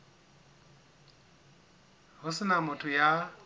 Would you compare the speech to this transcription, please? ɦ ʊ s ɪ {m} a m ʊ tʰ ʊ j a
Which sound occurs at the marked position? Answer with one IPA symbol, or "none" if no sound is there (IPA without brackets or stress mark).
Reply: n